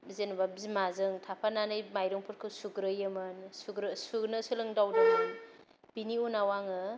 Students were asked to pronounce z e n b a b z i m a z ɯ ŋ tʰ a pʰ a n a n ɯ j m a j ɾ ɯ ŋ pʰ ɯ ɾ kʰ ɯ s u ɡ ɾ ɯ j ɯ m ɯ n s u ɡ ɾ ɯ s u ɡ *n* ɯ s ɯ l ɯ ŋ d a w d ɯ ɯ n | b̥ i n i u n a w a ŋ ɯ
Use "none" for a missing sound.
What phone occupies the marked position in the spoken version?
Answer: n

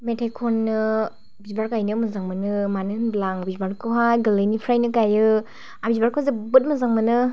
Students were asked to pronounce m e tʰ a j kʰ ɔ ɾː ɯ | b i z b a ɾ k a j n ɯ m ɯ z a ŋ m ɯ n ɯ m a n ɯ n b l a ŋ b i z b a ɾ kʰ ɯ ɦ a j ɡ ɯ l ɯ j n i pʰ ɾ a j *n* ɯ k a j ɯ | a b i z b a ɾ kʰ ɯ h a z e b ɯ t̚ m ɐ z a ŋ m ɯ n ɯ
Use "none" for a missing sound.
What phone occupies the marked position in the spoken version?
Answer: n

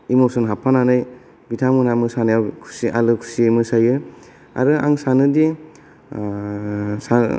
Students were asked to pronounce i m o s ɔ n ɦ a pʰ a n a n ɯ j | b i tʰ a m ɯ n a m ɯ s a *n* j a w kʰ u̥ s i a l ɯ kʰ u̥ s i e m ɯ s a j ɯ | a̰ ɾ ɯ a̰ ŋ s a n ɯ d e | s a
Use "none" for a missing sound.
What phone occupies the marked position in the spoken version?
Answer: n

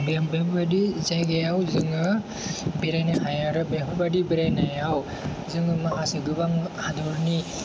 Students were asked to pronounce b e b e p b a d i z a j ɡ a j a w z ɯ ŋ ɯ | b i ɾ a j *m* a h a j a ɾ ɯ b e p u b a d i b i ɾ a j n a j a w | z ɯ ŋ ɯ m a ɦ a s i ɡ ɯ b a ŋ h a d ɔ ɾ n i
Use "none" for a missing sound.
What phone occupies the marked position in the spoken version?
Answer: n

